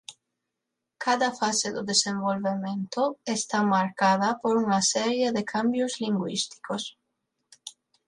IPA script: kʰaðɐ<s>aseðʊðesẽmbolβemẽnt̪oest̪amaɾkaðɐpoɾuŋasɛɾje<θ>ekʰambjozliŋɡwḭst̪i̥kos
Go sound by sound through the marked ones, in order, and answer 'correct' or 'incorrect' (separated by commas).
incorrect, incorrect